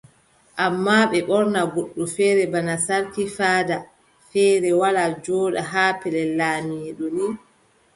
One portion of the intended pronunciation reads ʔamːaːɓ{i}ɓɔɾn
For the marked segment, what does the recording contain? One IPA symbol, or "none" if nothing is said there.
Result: ɛ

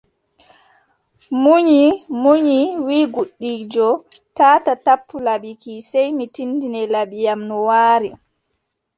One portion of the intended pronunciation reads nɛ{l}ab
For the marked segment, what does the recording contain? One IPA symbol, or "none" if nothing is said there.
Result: l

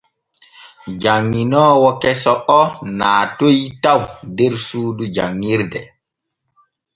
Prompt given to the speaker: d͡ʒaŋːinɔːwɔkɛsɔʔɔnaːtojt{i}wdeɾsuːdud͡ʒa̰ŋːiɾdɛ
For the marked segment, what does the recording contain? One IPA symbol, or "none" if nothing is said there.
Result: a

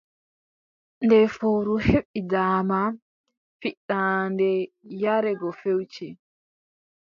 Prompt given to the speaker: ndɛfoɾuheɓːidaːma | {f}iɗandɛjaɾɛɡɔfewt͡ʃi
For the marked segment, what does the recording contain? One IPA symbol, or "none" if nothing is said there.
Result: f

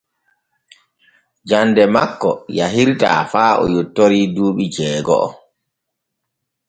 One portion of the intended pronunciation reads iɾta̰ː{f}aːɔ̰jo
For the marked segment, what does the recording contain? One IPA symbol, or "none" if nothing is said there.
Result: f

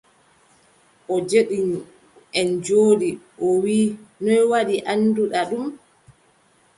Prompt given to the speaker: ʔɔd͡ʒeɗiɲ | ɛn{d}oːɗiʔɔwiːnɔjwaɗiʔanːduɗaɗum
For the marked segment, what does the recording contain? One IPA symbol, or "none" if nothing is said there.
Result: d͡ʒ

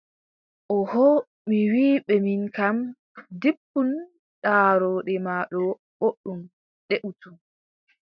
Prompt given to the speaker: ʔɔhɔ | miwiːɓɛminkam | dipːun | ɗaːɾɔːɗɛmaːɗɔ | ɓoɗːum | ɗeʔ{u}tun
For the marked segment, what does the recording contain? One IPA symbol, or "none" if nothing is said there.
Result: u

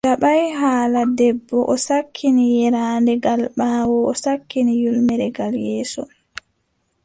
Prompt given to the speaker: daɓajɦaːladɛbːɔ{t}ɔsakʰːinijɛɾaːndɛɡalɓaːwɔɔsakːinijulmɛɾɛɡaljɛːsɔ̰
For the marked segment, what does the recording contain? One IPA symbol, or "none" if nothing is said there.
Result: ʔ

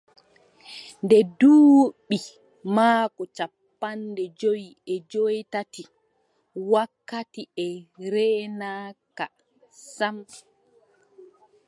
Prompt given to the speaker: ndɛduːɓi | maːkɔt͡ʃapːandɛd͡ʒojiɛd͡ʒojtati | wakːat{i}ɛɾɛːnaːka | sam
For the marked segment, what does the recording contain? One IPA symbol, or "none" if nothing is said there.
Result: i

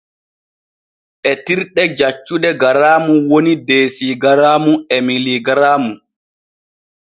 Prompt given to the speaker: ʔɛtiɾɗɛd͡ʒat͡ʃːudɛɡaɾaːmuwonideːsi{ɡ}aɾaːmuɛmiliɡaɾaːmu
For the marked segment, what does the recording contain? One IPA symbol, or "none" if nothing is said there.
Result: ɡ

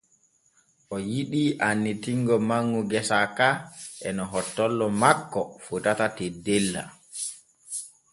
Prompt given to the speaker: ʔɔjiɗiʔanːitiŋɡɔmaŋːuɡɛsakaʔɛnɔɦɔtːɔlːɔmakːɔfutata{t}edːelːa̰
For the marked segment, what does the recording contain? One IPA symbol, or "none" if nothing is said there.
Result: t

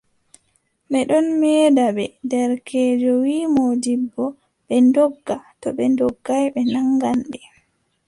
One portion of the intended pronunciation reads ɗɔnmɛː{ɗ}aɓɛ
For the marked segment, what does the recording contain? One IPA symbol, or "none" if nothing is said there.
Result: d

